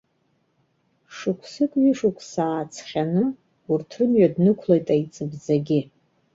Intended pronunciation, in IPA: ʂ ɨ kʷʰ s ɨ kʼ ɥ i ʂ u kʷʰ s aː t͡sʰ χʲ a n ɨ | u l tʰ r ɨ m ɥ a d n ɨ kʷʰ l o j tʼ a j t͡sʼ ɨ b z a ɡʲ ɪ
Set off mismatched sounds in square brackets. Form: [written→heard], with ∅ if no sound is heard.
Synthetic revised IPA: ʂ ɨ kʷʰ s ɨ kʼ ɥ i ʂ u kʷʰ s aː t͡sʰ χʲ a n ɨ | u [l→r] tʰ r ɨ m ɥ a d n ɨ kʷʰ l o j tʼ a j t͡sʼ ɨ b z a ɡʲ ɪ